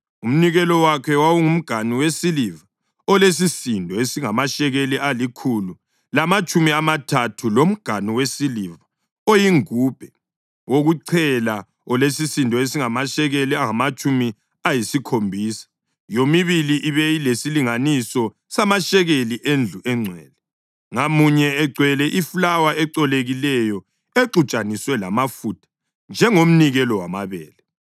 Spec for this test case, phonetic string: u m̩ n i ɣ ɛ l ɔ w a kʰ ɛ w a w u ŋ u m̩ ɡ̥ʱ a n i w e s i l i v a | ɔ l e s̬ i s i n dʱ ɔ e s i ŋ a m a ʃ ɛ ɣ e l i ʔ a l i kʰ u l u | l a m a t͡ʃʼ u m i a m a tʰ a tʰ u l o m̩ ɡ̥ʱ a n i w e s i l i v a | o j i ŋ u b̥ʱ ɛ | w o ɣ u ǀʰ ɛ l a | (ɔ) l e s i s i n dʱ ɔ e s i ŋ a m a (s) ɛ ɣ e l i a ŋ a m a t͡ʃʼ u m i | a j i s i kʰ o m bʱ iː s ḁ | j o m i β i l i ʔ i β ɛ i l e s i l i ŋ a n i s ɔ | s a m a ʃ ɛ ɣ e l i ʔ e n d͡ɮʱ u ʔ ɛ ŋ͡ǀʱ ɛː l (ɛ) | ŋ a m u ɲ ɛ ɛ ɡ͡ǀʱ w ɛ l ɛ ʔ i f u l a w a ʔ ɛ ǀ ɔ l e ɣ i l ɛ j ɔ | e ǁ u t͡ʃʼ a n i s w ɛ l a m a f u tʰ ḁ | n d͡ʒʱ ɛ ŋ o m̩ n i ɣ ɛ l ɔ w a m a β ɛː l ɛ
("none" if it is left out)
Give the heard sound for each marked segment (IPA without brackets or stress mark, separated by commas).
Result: ɔ, ʃ, ɛ